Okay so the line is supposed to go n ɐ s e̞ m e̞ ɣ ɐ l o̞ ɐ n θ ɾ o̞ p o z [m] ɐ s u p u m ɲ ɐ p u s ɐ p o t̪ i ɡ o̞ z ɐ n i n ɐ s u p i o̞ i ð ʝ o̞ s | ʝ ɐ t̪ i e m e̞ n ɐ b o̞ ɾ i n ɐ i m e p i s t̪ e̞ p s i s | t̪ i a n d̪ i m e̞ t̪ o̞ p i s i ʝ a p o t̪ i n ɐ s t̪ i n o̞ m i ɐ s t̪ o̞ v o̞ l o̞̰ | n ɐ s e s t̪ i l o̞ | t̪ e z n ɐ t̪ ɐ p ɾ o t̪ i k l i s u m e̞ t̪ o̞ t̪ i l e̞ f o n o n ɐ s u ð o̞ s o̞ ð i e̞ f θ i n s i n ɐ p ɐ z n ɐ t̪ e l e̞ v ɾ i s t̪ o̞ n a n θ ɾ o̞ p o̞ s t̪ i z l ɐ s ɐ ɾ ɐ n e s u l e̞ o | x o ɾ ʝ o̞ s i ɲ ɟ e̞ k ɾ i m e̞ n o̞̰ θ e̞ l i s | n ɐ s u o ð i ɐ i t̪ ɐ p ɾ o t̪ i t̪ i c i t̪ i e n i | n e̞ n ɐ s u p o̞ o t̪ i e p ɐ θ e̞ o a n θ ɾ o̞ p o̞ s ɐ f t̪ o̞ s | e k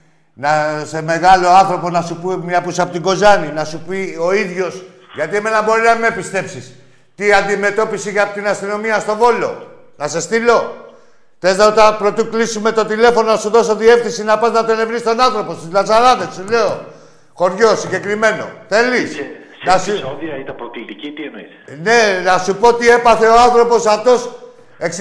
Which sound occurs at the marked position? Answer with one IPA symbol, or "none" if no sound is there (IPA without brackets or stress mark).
n